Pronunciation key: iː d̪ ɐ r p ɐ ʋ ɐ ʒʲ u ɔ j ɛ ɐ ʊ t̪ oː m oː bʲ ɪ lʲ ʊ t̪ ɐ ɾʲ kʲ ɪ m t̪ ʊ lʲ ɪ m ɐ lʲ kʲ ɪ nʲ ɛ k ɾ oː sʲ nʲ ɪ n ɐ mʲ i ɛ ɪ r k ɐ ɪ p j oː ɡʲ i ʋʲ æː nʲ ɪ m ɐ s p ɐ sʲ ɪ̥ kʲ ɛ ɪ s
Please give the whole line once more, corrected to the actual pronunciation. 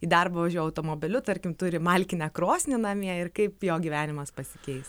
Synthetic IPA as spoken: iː d̪ ɐ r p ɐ ʋ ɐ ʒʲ u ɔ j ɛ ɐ ʊ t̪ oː m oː bʲ ɪ lʲ ʊ t̪ ɐ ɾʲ kʲ ɪ m t̪ ʊ ɾʲ ɪ m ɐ lʲ kʲ ɪ nʲ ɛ k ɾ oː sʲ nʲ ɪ n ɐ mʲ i ɛ ɪ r k ɐ ɪ p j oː ɡʲ i ʋʲ æː nʲ ɪ m ɐ s p ɐ sʲ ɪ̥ kʲ ɛ ɪ s